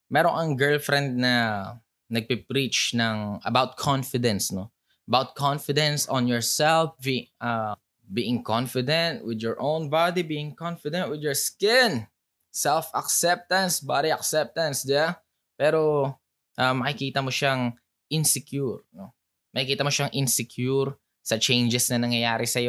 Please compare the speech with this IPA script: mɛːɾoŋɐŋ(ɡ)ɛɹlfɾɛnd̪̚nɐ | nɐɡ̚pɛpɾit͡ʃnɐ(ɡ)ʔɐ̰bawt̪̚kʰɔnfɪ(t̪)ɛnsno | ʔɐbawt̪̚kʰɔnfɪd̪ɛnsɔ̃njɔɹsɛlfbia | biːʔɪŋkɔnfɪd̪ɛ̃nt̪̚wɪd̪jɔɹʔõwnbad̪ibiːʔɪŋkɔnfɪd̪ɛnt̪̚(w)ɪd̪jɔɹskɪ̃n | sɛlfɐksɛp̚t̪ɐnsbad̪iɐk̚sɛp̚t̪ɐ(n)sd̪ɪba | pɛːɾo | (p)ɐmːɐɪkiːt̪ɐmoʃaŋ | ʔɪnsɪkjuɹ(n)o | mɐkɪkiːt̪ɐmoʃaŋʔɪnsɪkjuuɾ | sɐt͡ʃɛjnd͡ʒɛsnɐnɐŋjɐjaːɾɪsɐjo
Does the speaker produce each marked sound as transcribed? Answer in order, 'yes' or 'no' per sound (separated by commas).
yes, no, no, yes, yes, no, yes